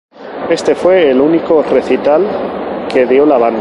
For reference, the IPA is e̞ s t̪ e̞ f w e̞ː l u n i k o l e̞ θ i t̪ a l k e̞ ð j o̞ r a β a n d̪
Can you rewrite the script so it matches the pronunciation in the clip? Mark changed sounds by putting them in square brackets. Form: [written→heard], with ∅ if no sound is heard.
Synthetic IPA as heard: e̞ s t̪ e̞ f w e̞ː l u n i k o [l→r] e̞ θ i t̪ a l k e̞ ð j o̞ [r→l] a β a n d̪